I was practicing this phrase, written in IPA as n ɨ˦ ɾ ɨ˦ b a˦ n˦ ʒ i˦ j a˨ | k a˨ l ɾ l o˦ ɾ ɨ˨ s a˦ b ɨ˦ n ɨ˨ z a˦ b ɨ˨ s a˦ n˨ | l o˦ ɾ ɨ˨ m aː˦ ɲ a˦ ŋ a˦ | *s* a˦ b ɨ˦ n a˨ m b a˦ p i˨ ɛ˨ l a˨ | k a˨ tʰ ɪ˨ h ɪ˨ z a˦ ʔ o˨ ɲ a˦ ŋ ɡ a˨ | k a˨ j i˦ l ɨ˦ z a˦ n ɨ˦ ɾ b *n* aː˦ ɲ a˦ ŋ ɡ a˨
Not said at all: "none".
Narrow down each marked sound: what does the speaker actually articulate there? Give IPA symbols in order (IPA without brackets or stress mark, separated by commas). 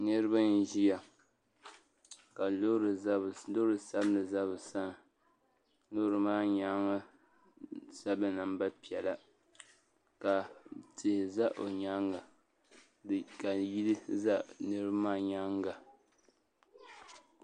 s, m